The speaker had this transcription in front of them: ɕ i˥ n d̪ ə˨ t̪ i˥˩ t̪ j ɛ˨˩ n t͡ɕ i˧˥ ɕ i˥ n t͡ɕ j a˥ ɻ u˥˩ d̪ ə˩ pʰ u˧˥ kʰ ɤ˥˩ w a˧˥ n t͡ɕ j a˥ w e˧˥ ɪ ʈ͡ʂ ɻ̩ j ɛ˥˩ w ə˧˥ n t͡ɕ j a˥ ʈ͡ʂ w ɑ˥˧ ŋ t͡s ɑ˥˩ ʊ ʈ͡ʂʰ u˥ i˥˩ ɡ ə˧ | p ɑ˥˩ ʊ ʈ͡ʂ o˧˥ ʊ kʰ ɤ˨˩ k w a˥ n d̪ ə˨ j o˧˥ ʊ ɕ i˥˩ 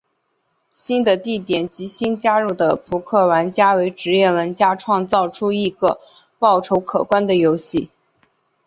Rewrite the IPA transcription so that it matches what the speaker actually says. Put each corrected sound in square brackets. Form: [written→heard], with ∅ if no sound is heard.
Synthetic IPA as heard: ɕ i˥ n d̪ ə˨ t̪ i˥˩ t̪ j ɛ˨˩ n t͡ɕ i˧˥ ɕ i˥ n t͡ɕ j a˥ ɻ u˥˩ d̪ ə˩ pʰ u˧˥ kʰ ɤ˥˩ w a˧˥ n t͡ɕ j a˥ w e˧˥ ɪ ʈ͡ʂ ɻ̩ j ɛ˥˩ w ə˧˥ n t͡ɕ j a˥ [ʈ͡ʂ→ʈ͡ʂʰ] w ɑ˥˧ ŋ t͡s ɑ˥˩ ʊ ʈ͡ʂʰ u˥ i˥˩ ɡ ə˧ | p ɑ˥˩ ʊ [ʈ͡ʂ→ʈ͡ʂʰ] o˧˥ ʊ kʰ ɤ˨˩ k w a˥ n d̪ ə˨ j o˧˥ ʊ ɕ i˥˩